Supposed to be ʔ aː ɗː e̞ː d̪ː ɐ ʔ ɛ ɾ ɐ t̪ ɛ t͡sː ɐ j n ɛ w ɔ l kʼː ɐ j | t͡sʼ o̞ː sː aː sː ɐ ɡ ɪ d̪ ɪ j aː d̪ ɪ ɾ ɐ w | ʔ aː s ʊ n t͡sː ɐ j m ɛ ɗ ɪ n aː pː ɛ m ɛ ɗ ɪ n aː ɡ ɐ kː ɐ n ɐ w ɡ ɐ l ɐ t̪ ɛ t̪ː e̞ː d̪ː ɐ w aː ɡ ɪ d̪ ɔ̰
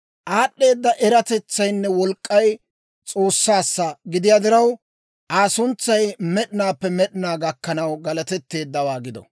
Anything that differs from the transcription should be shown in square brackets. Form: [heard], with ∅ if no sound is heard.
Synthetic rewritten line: ʔ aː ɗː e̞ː d̪ː ɐ ʔ ɛ ɾ ɐ t̪ ɛ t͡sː ɐ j [nː] ɛ w ɔ l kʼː ɐ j | t͡sʼ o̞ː sː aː sː ɐ ɡ ɪ d̪ ɪ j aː d̪ ɪ ɾ ɐ w | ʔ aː s ʊ n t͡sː ɐ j m ɛ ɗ ɪ n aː pː ɛ m ɛ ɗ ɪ n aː ɡ ɐ kː ɐ n ɐ w ɡ ɐ l ɐ t̪ ɛ t̪ː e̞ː d̪ː ɐ w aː ɡ ɪ d̪ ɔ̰

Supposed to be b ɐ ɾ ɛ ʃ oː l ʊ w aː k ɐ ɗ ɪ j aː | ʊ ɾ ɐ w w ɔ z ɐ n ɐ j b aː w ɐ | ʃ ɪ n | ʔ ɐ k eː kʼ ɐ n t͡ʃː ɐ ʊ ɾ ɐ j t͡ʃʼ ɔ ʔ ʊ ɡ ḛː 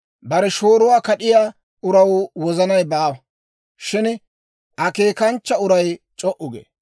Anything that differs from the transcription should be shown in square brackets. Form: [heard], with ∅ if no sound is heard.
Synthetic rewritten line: b ɐ ɾ ɛ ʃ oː [ɾ] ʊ w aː k ɐ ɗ ɪ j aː | ʊ ɾ ɐ w w ɔ z ɐ n ɐ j b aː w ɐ | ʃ ɪ n | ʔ ɐ k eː [k] ɐ n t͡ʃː ɐ ʊ ɾ ɐ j t͡ʃʼ ɔ ʔ ʊ ɡ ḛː

